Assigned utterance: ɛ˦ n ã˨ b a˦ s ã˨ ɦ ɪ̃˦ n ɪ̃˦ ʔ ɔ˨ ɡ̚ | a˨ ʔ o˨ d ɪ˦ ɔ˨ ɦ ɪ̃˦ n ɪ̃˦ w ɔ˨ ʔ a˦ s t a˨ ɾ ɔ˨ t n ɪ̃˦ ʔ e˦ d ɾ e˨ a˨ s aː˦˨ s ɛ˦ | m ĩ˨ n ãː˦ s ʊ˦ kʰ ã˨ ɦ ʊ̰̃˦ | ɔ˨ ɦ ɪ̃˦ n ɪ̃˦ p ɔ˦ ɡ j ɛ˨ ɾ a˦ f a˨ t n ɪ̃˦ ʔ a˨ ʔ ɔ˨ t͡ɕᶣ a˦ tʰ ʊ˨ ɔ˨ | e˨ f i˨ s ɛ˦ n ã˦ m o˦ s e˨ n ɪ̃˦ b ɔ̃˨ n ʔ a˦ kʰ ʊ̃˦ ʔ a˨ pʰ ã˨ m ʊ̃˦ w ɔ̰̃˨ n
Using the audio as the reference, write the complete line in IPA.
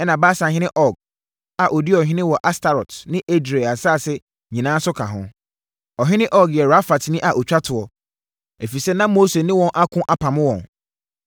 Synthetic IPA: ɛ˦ n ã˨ b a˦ s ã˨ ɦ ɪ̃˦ n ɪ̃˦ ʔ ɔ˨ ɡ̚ | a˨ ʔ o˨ d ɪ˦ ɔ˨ ɦ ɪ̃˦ n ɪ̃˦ w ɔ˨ ʔ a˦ s t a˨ ɾ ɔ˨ t n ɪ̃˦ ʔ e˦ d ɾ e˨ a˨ s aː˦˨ s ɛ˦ | ɲ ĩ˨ n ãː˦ s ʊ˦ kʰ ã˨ ɦ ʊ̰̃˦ | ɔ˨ ɦ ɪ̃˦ n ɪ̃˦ ʔ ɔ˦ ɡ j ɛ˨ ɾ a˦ f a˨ t n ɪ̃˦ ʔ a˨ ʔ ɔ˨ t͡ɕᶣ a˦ tʰ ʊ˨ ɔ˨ | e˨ f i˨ s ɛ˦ n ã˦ m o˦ s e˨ n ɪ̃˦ w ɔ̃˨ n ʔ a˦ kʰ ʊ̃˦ ʔ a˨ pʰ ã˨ m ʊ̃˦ w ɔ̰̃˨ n